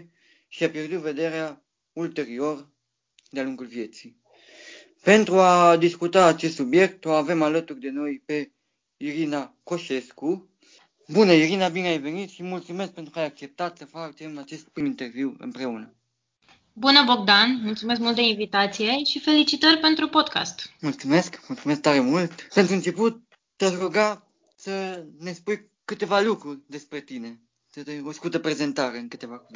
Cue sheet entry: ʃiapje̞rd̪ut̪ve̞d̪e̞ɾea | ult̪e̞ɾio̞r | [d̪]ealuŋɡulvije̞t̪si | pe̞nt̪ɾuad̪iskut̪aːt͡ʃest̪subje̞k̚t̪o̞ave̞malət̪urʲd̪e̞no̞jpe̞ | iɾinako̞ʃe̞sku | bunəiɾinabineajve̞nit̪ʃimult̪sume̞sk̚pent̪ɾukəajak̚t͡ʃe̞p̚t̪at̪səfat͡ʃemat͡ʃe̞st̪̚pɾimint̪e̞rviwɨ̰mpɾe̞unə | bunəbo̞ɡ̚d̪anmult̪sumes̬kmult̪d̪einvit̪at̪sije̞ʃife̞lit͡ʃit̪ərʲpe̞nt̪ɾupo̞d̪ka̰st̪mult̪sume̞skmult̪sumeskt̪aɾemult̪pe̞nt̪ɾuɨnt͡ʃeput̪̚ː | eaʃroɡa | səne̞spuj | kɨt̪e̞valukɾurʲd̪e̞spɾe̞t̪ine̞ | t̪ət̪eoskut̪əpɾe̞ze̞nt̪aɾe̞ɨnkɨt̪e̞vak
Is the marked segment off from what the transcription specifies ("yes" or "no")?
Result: no